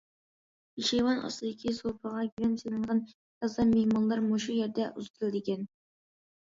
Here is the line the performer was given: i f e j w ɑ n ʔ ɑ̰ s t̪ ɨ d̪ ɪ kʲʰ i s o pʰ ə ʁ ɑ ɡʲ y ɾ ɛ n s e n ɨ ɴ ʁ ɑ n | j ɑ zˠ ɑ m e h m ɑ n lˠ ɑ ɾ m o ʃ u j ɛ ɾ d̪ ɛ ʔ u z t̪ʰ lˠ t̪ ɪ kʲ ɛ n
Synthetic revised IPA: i ʃ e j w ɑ n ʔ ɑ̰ s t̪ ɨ d̪ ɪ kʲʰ i s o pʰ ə ʁ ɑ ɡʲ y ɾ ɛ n s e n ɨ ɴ ʁ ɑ n | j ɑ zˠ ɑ m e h m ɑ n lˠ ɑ ɾ m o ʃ u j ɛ ɾ d̪ ɛ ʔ u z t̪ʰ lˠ d̪ ɪ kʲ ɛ n